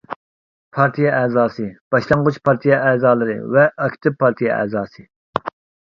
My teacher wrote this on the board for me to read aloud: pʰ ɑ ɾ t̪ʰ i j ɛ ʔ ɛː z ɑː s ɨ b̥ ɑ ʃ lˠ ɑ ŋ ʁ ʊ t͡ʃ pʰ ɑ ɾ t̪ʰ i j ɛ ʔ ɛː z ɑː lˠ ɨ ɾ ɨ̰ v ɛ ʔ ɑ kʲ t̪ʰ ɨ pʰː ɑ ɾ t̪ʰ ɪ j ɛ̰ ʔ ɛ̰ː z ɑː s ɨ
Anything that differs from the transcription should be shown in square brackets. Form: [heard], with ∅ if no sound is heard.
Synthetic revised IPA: pʰ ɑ ɾ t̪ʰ i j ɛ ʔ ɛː z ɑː s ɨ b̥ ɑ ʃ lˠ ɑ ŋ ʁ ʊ t͡ʃ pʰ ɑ ɾ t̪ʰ i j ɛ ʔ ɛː z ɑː lˠ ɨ ɾ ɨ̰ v ɛ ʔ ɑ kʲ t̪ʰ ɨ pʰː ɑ ɾ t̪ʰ [i] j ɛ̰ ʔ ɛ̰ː z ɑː s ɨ